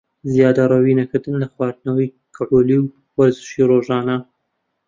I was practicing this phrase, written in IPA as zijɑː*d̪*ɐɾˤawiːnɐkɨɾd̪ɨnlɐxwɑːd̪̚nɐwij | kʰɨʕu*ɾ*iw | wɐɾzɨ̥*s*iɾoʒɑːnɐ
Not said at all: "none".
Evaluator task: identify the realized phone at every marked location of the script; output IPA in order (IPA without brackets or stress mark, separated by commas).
d̪, l, ʃ